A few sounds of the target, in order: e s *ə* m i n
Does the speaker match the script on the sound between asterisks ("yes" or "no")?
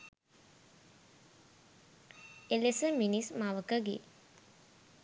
yes